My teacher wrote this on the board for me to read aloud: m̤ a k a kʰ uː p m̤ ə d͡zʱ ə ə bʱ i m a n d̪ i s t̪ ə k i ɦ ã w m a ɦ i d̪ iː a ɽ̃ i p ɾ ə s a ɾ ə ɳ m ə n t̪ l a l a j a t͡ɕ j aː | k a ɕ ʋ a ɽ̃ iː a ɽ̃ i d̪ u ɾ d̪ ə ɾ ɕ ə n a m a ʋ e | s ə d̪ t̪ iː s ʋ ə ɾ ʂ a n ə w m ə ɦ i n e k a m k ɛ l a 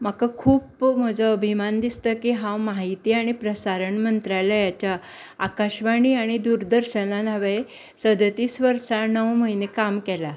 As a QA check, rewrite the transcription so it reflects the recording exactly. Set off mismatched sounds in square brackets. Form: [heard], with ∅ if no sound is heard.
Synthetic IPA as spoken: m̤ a k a kʰ uː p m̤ ə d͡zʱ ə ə bʱ i m a n d̪ i s t̪ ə k i ɦ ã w m a ɦ i [t̪] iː a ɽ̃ i p ɾ ə s a ɾ ə ɳ m ə n t̪ [ɾ] a l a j a t͡ɕ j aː | k a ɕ ʋ a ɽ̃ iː a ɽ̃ i d̪ u ɾ d̪ ə ɾ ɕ ə n a [n] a ʋ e | s ə d̪ t̪ iː s ʋ ə ɾ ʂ a n ə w m ə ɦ i n e k a m k ɛ l a